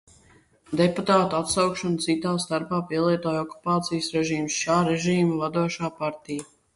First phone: d̪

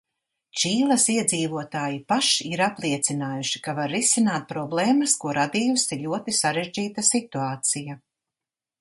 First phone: t͡ʃ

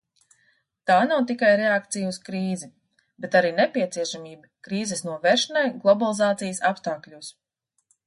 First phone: t̪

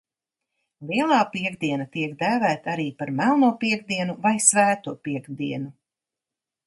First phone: l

